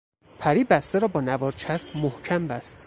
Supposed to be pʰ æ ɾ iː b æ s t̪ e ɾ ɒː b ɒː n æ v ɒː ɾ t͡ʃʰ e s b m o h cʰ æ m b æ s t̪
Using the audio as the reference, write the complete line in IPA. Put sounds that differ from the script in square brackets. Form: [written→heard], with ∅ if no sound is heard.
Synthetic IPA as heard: pʰ æ ɾ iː b æ s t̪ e ɾ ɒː b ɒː n æ v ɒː ɾ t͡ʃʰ [e→æ] s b m o h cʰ æ m b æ s t̪